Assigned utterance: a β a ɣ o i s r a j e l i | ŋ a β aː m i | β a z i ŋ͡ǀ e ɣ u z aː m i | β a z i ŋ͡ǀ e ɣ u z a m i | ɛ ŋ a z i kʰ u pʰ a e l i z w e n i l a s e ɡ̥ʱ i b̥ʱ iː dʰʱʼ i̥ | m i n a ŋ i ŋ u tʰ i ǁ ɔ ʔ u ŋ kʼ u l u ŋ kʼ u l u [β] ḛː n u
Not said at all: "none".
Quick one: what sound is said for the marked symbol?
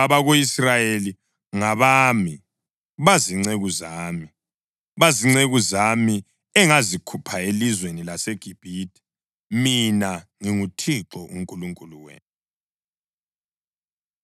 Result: w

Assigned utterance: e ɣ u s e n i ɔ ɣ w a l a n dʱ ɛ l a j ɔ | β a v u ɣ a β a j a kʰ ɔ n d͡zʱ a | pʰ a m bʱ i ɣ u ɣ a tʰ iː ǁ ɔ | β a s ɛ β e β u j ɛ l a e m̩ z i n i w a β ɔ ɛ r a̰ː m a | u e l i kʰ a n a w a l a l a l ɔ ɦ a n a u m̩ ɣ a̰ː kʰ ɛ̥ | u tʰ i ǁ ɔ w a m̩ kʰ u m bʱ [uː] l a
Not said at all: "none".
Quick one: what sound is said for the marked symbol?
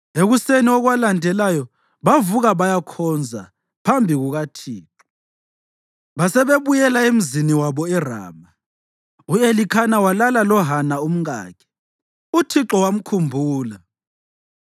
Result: uː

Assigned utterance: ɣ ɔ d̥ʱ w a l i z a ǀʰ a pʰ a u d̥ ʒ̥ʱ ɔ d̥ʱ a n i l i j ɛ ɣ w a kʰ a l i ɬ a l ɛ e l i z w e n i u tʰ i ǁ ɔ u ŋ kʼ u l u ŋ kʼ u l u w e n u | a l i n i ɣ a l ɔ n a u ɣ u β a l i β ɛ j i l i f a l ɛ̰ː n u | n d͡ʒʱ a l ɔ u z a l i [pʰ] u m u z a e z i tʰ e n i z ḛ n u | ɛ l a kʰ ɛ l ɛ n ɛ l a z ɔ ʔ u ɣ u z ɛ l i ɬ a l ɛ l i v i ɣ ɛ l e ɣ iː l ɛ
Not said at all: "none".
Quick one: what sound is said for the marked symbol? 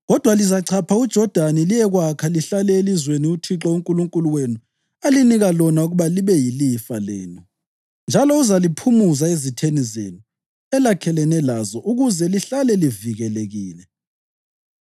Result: pʰ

